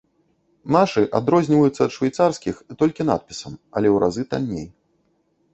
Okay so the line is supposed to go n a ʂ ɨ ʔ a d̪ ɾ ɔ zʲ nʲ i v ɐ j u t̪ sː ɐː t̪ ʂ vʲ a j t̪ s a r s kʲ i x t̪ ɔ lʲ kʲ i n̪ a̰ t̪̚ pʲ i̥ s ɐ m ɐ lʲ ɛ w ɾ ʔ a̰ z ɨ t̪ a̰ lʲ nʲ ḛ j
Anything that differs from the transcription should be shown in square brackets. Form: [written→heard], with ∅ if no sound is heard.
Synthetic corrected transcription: n a ʂ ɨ ʔ a d̪ ɾ ɔ zʲ nʲ i v ɐ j u t̪ sː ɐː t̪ ʂ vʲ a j t̪ s a r s kʲ i x t̪ ɔ lʲ kʲ i n̪ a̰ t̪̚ pʲ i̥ s ɐ m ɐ lʲ ɛ w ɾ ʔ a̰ z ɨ t̪ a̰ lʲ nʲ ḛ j